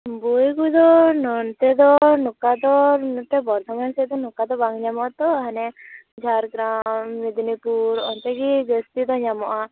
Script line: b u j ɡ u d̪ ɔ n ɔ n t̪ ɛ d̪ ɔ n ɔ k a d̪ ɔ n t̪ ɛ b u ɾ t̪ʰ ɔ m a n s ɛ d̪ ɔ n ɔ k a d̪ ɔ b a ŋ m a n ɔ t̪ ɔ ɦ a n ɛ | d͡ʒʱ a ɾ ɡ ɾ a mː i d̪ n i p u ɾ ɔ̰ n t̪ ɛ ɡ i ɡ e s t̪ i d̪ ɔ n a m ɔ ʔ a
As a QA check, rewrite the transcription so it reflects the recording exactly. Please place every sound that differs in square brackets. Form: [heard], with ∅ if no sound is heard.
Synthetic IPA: b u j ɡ u d̪ ɔ n ɔ n t̪ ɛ d̪ ɔ n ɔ k a d̪ ɔ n t̪ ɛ b [ɔ] ɾ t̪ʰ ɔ m a n s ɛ d̪ ɔ n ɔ k a d̪ ɔ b a ŋ [ɲ] a [m] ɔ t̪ ɔ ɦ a n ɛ | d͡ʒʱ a ɾ ɡ ɾ a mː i d̪ n i p u ɾ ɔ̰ n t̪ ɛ ɡ i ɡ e s t̪ i d̪ ɔ [ɲ] a m ɔ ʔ a